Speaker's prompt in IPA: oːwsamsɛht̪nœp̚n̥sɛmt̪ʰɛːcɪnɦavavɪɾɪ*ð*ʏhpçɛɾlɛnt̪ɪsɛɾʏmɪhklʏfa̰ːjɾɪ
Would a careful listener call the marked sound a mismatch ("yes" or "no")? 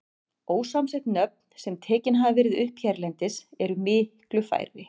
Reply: no